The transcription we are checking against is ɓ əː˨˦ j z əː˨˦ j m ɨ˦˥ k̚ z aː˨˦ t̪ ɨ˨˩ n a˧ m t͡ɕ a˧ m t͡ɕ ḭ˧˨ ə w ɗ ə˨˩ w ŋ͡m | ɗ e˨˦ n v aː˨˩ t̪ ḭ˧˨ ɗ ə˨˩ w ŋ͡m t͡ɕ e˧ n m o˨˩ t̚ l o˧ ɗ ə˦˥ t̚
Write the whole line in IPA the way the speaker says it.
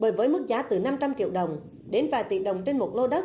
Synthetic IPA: ɓ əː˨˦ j v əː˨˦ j m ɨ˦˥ k̚ z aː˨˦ t̪ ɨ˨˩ n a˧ m t͡ɕ a˧ m t͡ɕ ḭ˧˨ ə w ɗ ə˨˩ w ŋ͡m | ɗ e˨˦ n v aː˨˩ t̪ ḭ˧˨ ɗ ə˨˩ w ŋ͡m t͡ɕ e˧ n m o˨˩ t̚ l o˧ ɗ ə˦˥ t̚